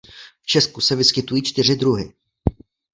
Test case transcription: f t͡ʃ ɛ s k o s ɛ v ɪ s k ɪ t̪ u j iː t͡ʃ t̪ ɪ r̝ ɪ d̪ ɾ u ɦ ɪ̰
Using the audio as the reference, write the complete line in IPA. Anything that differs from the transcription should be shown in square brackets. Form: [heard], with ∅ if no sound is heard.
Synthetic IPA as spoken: f t͡ʃ ɛ s k [u] s ɛ v ɪ s k ɪ t̪ u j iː t͡ʃ t̪ ɪ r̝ ɪ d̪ ɾ u ɦ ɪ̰